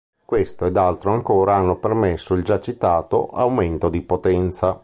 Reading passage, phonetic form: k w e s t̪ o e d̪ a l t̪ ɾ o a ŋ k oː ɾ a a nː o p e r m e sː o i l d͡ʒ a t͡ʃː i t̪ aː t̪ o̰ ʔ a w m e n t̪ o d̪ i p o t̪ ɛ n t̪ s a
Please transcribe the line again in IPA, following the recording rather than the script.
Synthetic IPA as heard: k w e s t̪ o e d̪ a l t̪ ɾ o a ŋ k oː ɾ a a nː o p e r m e sː o i l d͡ʒ a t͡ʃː i t̪ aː t̪ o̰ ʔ a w m e n t̪ o d̪ i p o t̪ ɛ n t̪ s a